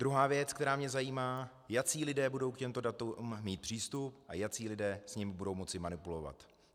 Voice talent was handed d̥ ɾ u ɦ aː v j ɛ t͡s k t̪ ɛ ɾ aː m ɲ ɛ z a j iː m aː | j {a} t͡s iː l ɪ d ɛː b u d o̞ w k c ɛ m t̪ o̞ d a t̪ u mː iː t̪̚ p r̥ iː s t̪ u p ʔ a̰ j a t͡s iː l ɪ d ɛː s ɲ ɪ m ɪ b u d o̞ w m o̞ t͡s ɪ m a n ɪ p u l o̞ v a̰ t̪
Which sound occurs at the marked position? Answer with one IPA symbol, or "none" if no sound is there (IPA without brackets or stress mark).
a